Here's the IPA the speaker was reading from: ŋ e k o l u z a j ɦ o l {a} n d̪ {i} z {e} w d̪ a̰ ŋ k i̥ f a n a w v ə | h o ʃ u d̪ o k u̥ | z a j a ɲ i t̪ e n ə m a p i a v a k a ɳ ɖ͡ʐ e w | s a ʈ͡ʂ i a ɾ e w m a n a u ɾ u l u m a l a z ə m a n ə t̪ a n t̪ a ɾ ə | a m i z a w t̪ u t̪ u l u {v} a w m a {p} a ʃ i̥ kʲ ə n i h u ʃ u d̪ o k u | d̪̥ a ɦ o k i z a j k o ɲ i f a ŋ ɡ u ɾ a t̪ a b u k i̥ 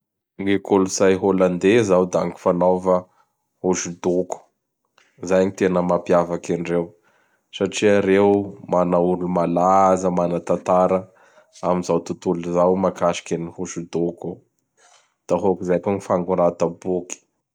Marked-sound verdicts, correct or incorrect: correct, incorrect: e, incorrect: a, incorrect: z, incorrect: k

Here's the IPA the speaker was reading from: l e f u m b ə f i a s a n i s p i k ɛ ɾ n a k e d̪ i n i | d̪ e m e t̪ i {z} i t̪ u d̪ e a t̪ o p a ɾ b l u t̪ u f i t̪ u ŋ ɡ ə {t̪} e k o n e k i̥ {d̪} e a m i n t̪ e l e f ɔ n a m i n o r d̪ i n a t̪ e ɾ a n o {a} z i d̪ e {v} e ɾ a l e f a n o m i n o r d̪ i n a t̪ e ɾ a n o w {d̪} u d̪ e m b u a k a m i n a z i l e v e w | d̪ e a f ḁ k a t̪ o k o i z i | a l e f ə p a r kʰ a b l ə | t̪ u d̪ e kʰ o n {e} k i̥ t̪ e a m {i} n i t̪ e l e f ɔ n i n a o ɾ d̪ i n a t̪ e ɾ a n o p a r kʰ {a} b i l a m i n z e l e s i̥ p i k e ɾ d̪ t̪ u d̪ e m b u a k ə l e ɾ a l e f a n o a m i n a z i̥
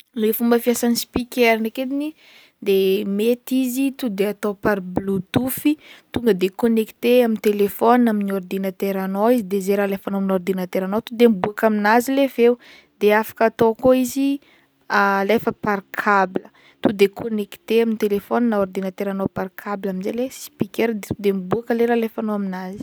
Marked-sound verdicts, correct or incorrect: correct, incorrect: d̪, incorrect: t̪, incorrect: i, incorrect: z, incorrect: t̪, correct, correct, correct

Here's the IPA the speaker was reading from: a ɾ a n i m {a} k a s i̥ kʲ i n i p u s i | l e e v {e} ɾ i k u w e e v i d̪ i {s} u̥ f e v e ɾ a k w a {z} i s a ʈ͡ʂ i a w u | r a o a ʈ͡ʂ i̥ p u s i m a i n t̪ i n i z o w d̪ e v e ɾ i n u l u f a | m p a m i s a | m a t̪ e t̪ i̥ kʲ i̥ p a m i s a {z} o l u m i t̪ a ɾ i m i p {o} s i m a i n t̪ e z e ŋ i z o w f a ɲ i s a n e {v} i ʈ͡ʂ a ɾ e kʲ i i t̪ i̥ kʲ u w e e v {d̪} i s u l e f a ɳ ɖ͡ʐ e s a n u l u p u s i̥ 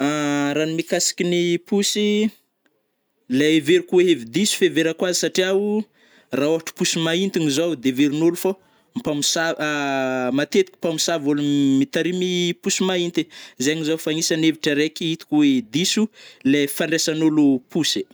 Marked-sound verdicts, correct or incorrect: incorrect: i, correct, correct, correct, incorrect: v, incorrect: u, correct, correct

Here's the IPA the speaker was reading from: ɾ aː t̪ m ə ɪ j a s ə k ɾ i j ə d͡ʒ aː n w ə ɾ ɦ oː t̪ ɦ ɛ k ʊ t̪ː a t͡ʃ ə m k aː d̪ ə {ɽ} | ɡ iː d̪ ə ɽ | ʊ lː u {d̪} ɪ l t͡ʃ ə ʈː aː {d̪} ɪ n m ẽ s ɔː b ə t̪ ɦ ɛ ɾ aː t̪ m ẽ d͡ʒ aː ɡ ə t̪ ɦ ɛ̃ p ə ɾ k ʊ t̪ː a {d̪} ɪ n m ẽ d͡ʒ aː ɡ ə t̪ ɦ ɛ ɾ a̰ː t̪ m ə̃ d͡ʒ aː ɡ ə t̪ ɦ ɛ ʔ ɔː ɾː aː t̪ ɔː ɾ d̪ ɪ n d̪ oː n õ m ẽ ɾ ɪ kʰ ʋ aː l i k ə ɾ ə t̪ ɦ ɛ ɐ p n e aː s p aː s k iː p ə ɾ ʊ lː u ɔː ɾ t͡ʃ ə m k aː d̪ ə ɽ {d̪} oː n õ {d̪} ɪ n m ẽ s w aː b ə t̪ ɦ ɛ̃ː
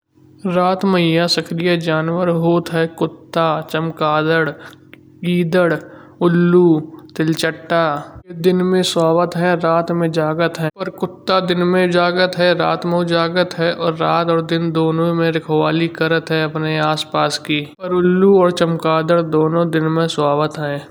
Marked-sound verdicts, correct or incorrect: correct, incorrect: t̪, correct, correct, correct, correct

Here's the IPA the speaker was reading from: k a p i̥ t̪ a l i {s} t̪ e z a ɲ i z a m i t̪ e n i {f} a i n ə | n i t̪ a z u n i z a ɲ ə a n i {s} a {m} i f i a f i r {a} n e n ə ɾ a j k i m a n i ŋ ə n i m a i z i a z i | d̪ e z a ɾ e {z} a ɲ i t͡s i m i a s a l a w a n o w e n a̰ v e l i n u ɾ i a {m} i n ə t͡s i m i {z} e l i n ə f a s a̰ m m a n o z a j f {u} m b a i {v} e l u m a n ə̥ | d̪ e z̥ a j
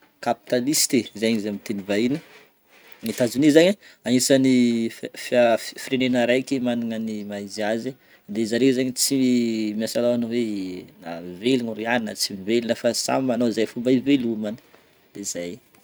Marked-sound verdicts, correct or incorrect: correct, incorrect: v, correct, incorrect: n, incorrect: e, correct, incorrect: n, incorrect: v, correct, correct

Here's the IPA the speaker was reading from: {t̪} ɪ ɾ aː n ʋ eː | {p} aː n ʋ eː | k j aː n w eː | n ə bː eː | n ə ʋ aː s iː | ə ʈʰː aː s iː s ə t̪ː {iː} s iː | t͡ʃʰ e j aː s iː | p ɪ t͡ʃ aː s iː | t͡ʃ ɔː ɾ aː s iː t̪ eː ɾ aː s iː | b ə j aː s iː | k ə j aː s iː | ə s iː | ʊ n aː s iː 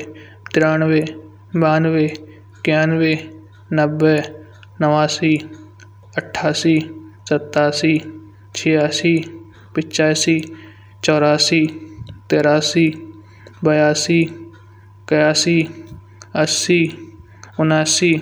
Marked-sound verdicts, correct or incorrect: correct, incorrect: b, incorrect: aː

